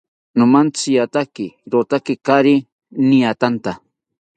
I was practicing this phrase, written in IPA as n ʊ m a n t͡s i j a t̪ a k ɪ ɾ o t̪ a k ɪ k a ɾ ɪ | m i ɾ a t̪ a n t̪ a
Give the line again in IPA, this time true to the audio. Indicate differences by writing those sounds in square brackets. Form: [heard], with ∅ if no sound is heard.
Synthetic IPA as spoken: n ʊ m a n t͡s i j a t̪ a k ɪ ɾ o t̪ a k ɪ k a ɾ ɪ | [n] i [∅] a t̪ a n t̪ a